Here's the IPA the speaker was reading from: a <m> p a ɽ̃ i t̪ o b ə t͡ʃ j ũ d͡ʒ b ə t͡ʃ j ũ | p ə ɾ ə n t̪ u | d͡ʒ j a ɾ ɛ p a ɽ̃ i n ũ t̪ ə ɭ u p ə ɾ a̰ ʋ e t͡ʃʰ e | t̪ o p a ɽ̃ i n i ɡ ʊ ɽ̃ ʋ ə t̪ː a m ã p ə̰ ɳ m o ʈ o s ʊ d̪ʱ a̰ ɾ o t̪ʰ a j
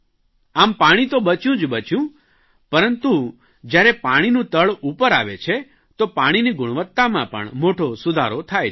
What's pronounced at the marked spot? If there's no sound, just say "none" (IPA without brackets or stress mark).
m